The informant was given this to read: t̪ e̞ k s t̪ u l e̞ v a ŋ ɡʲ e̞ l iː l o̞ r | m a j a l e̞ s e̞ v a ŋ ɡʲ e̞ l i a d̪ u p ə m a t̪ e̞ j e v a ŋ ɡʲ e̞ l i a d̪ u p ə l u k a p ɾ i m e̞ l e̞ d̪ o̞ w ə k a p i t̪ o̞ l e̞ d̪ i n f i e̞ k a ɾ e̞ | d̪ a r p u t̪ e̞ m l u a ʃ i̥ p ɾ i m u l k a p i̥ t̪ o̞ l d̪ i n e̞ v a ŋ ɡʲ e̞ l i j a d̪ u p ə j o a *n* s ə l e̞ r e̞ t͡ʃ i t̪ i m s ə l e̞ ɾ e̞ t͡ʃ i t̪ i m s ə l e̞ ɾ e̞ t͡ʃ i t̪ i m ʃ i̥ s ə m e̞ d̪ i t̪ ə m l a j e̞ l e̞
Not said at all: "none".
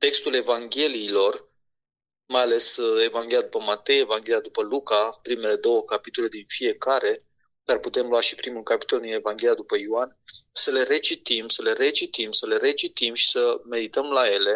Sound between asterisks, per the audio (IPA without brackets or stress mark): n